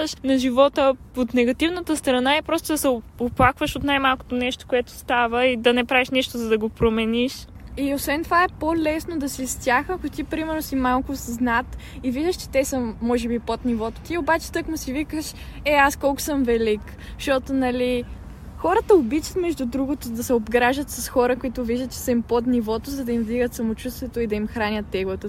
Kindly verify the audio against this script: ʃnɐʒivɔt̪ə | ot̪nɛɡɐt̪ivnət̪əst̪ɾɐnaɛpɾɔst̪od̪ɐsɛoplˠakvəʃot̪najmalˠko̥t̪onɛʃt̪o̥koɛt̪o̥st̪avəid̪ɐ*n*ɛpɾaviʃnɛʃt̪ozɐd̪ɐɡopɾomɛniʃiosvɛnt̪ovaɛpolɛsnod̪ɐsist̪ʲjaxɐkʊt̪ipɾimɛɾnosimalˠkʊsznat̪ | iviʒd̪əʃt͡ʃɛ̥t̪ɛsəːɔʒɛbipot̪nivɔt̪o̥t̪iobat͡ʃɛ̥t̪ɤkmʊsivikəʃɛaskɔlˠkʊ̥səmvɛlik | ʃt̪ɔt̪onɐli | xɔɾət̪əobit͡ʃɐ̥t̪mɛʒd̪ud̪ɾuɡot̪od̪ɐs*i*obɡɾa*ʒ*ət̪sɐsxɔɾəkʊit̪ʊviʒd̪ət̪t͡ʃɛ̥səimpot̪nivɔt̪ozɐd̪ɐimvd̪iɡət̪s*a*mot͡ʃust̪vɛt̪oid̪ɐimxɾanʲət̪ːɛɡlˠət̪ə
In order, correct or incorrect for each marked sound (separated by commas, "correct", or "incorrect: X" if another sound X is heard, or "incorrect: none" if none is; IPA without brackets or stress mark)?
correct, incorrect: ɛ, correct, incorrect: ɐ